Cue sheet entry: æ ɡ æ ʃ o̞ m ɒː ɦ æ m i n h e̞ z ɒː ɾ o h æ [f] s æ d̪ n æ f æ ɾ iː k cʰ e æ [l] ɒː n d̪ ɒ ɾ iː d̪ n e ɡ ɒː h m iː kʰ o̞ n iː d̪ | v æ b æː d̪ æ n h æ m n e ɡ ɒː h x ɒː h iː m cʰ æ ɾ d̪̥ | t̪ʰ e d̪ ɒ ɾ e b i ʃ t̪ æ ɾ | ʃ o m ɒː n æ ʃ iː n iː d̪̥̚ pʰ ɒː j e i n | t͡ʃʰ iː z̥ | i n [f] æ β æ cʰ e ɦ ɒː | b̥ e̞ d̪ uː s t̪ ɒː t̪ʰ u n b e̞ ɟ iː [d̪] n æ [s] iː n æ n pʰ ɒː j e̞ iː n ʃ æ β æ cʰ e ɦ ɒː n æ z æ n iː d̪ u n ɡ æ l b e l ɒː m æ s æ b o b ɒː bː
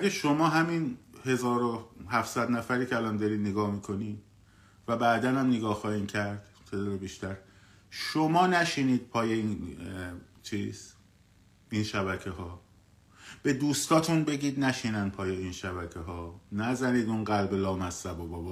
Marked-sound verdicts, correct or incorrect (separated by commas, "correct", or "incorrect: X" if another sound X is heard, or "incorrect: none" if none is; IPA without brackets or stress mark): correct, correct, incorrect: ʃ, correct, incorrect: ʃ